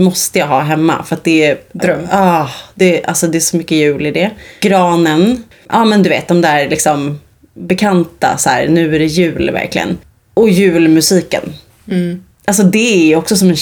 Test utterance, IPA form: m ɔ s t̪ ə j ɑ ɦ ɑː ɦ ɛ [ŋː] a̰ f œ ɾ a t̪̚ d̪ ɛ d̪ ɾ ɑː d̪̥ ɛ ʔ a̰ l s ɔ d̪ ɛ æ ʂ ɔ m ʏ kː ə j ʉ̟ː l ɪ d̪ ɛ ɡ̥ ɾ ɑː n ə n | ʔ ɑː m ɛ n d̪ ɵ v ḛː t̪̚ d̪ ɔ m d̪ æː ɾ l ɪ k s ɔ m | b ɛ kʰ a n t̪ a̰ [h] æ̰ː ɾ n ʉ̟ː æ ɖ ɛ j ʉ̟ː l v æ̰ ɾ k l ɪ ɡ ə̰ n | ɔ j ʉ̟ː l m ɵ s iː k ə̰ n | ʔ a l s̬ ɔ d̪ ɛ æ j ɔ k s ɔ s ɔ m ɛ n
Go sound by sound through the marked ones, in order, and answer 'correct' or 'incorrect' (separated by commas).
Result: incorrect, incorrect